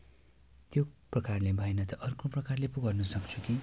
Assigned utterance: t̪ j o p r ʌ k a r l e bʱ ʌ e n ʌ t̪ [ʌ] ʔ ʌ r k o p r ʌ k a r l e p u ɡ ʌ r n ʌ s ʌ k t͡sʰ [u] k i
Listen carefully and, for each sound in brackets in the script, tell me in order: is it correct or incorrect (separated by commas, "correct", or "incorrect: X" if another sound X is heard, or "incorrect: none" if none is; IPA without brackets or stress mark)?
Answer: correct, correct